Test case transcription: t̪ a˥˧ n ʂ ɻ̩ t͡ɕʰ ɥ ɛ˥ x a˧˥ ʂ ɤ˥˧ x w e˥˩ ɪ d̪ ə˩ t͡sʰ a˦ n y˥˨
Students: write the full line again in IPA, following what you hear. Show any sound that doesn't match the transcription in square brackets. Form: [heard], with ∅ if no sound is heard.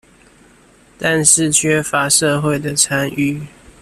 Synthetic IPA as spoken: t̪ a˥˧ n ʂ ɻ̩ t͡ɕʰ ɥ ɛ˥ [f] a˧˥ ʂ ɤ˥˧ x w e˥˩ ɪ d̪ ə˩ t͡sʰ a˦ n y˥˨